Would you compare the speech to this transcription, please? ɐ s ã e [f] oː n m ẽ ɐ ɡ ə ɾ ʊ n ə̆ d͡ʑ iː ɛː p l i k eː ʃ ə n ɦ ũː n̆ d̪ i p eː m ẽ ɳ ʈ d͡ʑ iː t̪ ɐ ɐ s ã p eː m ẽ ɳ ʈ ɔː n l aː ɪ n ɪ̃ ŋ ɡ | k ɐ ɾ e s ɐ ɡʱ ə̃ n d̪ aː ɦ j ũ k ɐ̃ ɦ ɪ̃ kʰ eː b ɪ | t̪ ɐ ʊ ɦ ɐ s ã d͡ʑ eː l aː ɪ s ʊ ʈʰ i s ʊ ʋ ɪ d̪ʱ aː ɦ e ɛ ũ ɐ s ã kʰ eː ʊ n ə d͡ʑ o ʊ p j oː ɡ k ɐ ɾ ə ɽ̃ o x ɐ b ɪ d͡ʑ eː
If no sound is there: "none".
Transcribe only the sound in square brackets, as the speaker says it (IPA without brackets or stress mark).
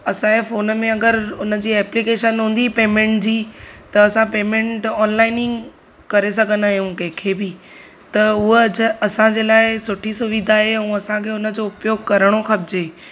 f